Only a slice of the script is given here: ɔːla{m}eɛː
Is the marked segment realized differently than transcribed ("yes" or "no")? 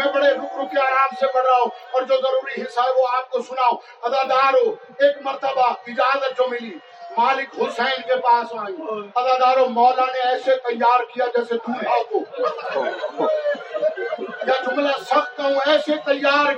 yes